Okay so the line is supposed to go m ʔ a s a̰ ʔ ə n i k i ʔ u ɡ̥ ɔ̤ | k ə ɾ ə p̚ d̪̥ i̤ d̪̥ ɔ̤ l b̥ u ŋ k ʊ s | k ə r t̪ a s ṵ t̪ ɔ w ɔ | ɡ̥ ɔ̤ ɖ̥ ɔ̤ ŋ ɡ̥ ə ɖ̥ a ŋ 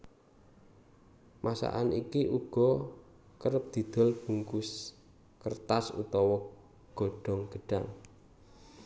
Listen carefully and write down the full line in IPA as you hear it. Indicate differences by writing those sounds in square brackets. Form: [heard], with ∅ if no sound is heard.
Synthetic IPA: m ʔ a s a̰ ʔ [a] n i k i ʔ u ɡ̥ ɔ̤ | k ə ɾ ə p̚ d̪̥ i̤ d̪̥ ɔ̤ l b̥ u ŋ k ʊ s | k ə r t̪ a s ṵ t̪ ɔ w ɔ | ɡ̥ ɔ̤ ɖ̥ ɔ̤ ŋ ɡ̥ ə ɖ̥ a ŋ